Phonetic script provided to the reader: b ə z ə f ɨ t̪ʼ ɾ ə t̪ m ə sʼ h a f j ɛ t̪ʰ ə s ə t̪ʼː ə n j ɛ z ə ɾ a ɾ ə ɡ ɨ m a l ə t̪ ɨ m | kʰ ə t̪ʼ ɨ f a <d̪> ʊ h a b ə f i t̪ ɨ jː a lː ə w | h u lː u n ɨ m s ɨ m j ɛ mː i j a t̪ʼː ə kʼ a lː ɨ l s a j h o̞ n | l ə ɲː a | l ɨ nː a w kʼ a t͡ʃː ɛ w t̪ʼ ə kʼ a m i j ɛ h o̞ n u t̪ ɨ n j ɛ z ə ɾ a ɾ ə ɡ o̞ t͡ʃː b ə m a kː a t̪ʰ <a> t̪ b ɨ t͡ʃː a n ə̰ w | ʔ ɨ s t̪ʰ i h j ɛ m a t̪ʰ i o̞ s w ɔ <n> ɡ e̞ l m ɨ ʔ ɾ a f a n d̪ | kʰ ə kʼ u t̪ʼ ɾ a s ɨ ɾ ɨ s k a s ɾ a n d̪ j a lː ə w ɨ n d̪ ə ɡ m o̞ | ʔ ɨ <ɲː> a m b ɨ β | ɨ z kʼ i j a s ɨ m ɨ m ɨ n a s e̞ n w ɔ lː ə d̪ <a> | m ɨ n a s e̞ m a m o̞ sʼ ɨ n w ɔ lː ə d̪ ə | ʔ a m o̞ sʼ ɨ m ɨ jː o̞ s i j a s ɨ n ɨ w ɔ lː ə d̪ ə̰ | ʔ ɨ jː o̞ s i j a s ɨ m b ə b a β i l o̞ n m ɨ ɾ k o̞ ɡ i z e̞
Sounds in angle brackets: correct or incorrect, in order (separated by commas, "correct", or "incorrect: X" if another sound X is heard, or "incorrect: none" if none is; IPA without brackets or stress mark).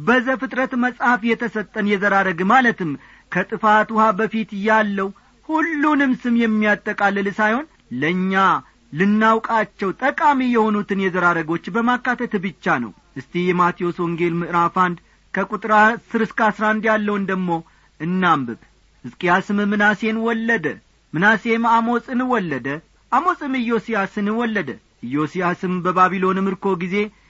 incorrect: t̪, incorrect: ə, incorrect: ŋ, incorrect: nː, incorrect: ə